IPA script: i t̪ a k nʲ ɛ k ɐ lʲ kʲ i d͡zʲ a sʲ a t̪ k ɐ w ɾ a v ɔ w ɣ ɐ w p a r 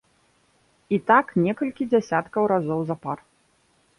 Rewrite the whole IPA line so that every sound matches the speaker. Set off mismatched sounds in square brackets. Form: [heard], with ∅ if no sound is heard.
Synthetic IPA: i t̪ a k nʲ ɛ k ɐ lʲ kʲ i d͡zʲ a sʲ a t̪ k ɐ w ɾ a [z] ɔ w [z] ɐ [∅] p a r